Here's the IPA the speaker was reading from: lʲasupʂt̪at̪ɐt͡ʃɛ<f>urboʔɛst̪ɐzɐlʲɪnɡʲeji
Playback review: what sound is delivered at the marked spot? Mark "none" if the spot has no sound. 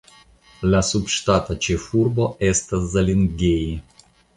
f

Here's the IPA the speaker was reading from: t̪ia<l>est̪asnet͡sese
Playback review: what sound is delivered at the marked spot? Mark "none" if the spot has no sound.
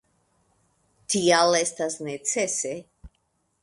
l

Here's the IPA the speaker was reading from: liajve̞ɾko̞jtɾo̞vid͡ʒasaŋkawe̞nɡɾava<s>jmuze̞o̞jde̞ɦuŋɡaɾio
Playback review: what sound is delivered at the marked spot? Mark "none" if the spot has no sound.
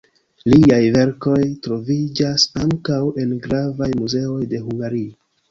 none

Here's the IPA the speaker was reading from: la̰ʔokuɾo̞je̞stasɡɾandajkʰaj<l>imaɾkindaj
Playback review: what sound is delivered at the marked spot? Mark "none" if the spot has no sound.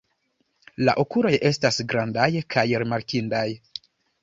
ɾ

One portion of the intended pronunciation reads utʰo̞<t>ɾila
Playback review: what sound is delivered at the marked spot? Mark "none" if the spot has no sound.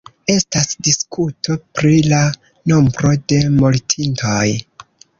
p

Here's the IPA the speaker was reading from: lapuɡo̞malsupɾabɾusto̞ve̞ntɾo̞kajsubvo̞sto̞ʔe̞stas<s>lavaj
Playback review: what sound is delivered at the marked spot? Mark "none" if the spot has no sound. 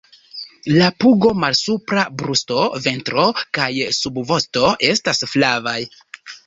f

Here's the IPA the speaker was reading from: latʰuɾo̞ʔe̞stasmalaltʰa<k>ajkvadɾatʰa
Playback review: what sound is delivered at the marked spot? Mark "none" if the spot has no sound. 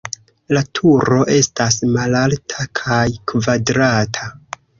kʰ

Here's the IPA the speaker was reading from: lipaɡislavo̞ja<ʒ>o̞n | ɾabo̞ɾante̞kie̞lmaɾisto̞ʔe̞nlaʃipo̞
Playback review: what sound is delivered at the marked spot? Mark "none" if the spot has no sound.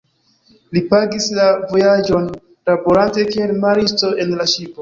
d͡ʒ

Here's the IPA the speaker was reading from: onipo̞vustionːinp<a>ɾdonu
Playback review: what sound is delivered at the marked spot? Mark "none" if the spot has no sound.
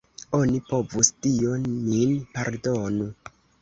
a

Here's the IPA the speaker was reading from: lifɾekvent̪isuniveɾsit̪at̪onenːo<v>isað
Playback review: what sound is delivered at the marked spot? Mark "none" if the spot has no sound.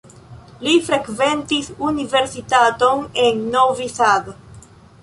v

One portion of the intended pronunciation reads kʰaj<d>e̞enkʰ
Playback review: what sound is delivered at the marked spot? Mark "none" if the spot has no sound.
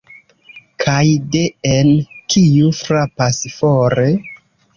d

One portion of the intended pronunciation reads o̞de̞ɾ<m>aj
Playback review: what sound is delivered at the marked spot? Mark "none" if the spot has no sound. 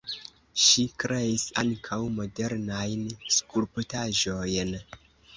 n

